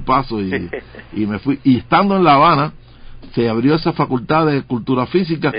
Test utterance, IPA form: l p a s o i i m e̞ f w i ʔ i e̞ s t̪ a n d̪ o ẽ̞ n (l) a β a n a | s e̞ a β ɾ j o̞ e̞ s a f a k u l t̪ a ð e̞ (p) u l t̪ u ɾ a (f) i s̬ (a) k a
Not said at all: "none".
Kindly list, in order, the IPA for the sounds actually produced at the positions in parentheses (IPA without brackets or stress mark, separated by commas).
l, k, f, i